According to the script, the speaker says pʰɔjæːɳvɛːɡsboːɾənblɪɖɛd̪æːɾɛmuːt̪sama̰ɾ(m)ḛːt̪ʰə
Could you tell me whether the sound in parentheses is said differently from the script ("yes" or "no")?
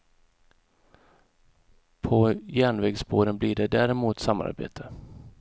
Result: yes